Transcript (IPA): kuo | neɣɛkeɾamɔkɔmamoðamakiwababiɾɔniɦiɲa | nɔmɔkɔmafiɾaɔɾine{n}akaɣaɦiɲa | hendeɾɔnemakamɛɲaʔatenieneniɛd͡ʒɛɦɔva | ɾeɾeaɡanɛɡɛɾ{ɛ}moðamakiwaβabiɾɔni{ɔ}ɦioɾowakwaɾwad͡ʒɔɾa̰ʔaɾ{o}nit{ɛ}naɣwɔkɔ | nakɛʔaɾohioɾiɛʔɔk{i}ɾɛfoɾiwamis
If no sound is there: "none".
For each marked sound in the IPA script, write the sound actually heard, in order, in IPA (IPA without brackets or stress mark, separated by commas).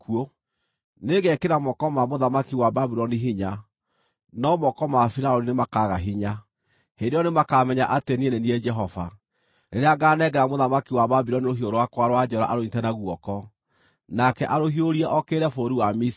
m, a, o, o, ɛ, e